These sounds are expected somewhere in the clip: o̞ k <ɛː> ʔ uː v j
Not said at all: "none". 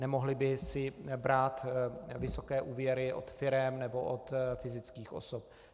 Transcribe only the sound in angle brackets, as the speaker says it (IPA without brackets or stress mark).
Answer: ɛː